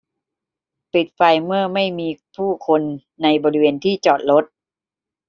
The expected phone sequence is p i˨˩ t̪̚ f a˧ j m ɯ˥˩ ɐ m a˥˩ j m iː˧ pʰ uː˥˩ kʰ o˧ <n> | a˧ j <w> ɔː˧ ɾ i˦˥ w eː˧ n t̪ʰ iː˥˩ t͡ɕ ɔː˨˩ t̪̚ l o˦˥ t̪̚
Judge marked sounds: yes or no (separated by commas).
no, no